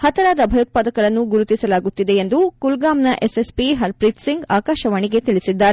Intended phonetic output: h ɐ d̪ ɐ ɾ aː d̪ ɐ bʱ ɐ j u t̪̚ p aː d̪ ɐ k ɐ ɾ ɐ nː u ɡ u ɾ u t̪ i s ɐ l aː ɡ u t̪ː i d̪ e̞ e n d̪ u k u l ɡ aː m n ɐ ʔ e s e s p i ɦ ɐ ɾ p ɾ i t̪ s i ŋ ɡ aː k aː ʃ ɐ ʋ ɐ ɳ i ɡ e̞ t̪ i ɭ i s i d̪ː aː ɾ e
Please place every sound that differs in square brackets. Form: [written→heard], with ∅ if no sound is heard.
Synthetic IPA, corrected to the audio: h ɐ [d̪→t̪] ɐ ɾ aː d̪ ɐ bʱ ɐ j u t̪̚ p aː d̪ ɐ k ɐ ɾ ɐ nː u ɡ u ɾ u t̪ i s ɐ l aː ɡ u t̪ː i d̪ e̞ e n d̪ u k u l ɡ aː m n ɐ ʔ e s e s p i ɦ ɐ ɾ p ɾ i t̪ s i ŋ ɡ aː k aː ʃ ɐ ʋ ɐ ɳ i ɡ e̞ t̪ i ɭ i s i d̪ː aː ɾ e